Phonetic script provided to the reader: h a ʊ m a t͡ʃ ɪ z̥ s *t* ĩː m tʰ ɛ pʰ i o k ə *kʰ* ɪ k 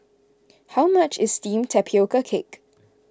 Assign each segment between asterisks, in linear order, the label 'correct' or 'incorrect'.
correct, correct

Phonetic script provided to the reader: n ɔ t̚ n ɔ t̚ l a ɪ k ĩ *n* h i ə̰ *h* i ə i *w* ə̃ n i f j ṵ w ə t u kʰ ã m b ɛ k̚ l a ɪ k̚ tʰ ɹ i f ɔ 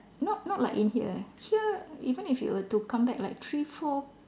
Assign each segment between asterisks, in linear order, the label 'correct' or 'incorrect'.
correct, correct, incorrect: v

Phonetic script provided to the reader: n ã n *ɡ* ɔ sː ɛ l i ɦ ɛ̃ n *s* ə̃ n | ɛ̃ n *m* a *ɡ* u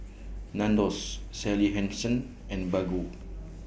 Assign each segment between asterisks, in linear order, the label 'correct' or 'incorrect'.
incorrect: d, correct, incorrect: b, correct

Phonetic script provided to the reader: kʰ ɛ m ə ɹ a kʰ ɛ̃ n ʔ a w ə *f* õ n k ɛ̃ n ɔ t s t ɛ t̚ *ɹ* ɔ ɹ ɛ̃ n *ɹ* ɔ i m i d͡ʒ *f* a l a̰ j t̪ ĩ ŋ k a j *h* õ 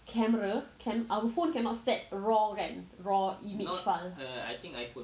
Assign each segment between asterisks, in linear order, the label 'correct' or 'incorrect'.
correct, correct, correct, correct, incorrect: f

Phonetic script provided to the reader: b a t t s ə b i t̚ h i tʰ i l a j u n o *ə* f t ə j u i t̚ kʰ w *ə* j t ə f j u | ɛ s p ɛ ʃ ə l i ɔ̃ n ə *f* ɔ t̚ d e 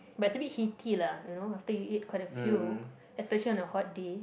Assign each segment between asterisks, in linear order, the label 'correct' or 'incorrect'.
incorrect: a, incorrect: a, incorrect: h

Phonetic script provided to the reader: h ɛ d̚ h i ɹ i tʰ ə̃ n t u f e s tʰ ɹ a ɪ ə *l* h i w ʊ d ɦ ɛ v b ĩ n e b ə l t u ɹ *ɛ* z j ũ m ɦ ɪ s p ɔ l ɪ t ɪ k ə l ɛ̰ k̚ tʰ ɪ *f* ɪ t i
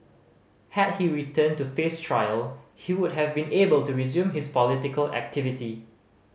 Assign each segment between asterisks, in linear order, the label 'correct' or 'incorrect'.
correct, incorrect: i, incorrect: v

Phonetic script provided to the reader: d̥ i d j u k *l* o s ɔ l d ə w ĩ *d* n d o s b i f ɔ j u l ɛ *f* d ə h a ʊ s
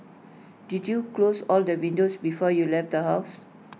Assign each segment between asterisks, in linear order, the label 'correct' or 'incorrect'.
correct, incorrect: none, correct

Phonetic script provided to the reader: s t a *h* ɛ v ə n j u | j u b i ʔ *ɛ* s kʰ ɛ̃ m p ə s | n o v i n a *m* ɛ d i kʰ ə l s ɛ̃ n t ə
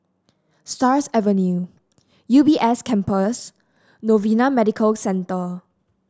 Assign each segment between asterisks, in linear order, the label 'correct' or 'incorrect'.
incorrect: s, correct, correct

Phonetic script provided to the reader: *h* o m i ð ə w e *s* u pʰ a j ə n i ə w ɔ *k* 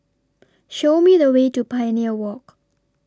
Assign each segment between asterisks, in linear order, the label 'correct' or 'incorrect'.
incorrect: ʃ, incorrect: t, correct

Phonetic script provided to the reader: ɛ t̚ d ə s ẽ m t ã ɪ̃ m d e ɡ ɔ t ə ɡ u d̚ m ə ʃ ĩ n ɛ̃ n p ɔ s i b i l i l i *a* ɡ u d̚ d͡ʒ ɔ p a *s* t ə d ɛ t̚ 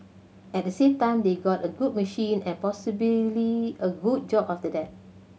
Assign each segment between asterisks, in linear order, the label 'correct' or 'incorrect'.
incorrect: ə, incorrect: f

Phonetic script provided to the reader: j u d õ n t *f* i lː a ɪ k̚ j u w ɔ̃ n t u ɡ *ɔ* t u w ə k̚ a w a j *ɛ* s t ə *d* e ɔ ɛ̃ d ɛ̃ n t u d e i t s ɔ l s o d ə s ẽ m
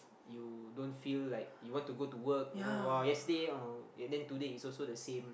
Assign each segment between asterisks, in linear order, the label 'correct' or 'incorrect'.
correct, incorrect: o, correct, correct

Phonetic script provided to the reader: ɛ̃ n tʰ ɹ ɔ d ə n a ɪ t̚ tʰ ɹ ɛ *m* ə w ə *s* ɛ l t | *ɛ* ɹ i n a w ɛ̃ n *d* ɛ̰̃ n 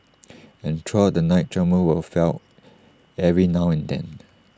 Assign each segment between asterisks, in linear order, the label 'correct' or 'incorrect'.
correct, incorrect: f, correct, correct

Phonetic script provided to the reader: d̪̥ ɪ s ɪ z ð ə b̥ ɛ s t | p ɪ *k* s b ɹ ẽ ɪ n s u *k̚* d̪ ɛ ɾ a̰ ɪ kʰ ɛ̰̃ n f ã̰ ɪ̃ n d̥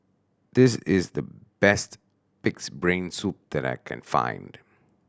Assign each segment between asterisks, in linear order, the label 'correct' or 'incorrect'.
correct, incorrect: p̚

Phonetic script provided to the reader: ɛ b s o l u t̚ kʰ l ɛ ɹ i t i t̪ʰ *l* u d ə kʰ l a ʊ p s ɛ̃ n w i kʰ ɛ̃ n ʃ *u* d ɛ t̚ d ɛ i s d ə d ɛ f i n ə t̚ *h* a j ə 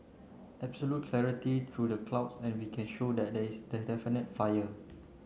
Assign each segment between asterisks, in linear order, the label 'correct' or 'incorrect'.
incorrect: ɹ, incorrect: o, incorrect: f

